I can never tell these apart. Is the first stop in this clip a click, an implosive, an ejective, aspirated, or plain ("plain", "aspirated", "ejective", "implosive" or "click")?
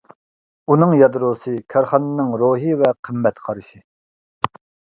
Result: plain